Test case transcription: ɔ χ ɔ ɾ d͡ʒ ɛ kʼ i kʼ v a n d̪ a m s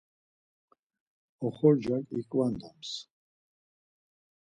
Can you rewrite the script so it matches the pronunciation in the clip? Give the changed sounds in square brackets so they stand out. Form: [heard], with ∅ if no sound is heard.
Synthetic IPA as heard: ɔ χ ɔ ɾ d͡ʒ [a] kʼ i kʼ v a n d̪ a m s